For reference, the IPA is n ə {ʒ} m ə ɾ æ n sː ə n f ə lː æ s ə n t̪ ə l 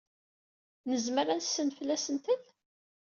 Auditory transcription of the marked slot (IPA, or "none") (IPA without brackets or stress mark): z